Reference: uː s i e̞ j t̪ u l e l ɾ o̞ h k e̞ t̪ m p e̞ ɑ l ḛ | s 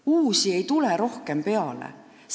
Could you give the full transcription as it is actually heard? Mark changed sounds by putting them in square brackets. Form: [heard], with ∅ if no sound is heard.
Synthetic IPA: uː s i e̞ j t̪ u l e [∅] ɾ o̞ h k e̞ [∅] m p e̞ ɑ l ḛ | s

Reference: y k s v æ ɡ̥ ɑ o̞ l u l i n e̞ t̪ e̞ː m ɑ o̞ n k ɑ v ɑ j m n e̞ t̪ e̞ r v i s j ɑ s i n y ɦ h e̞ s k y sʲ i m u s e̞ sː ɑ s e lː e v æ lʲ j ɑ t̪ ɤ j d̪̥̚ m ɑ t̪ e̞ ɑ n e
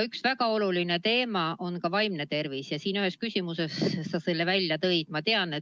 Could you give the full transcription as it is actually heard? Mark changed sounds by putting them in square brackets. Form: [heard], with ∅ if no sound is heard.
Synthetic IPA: y k s v æ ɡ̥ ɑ o̞ l u l i n e̞ t̪ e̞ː m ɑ o̞ n k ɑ v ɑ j m n e̞ t̪ e̞ r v i s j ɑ s [iː] n y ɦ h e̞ s k y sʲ i m u s e̞ sː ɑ s e lː e v æ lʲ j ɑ t̪ ɤ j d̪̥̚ m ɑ t̪ e̞ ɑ n e

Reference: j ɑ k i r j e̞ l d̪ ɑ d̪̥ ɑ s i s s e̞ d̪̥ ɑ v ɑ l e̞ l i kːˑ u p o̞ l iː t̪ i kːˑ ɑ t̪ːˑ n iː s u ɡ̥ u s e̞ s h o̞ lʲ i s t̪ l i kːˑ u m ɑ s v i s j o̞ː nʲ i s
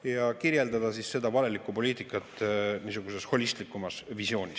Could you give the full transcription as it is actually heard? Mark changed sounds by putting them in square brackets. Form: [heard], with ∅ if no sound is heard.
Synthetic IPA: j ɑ k i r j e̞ l d̪ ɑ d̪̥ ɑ s i s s e̞ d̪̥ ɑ v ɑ l e̞ l i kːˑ u p o̞ l iː t̪ i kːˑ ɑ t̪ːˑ n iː s u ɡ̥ u s e̞ s h o̞ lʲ i s t̪ l i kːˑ u m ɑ s v i s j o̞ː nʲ i s

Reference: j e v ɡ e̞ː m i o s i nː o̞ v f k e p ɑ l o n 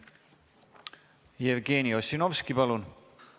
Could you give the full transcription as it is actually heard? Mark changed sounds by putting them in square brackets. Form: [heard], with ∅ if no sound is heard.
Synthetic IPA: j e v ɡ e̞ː [n] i o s i [n] o̞ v [s] k [i] p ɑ l [u] n

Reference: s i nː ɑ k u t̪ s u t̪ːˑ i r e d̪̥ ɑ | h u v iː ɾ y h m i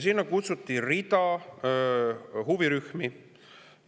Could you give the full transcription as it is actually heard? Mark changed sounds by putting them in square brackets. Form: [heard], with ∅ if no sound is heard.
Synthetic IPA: s i nː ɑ k u t̪ s u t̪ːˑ i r [i] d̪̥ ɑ | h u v [i] ɾ y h m i

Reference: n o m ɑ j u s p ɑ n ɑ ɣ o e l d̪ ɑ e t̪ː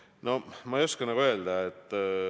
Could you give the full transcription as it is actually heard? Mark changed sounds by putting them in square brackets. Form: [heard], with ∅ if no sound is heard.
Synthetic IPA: n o m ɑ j [o] s [k] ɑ n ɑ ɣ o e l d̪ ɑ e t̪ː

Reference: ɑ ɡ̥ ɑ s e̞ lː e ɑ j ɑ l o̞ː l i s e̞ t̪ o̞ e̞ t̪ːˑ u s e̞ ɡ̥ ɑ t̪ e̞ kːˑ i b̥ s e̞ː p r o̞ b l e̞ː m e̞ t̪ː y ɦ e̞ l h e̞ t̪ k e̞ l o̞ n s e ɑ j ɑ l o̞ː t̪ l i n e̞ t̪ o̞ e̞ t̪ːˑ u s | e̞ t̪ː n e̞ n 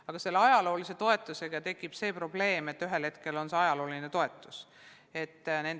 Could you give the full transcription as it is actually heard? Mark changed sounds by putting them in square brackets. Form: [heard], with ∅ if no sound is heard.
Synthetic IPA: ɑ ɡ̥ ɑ s e̞ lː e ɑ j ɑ l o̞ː l i s e̞ t̪ o̞ e̞ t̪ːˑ u s e̞ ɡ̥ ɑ t̪ e̞ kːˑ i b̥ s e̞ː p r o̞ b l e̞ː m e̞ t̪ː y ɦ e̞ l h e̞ t̪ k e̞ l o̞ n s e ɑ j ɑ l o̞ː [∅] l i n e̞ t̪ o̞ e̞ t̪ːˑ u s | e̞ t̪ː n e̞ n

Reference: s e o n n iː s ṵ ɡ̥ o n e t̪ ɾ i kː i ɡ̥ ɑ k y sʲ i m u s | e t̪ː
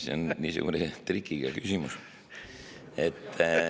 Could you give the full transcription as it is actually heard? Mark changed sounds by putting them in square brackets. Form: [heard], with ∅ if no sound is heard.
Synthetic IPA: s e o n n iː s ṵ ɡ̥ [u] n e t̪ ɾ i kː i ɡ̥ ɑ k y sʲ i m u s | e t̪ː

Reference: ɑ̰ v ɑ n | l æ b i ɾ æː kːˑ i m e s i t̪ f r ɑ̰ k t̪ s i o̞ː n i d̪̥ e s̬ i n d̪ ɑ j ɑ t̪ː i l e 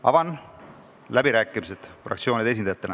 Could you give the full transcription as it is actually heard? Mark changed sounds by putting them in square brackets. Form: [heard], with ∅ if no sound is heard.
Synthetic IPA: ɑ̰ v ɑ n | l æ b i ɾ æː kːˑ i m [i] s [e] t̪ f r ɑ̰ k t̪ s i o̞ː n i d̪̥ e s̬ i n d̪ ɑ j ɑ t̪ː [e] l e

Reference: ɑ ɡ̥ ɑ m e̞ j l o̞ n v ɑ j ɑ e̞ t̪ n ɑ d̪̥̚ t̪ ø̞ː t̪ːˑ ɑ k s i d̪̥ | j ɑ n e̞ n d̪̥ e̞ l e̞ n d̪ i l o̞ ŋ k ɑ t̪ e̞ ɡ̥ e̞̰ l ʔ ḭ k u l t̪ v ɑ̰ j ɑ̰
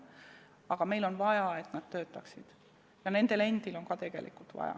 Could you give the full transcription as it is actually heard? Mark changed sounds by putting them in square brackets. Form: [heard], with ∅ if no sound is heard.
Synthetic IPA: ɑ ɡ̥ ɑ m e̞ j l o̞ n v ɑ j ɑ e̞ t̪ n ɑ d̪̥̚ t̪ ø̞ː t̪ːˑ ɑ k s i d̪̥ | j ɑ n e̞ n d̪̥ e̞ l e̞ n d̪ i l o̞ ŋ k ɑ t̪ e̞ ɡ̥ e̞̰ l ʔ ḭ k u l t̪ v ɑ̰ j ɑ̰

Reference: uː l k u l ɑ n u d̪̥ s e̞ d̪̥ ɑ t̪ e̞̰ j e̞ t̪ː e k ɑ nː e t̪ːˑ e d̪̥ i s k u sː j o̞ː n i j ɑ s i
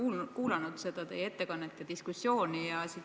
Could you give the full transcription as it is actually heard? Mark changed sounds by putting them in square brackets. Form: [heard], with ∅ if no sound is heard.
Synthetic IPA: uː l k [uː] l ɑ n u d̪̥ s e̞ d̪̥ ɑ t̪ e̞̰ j e̞ t̪ː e k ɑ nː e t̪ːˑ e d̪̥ i s k u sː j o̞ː n i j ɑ s i

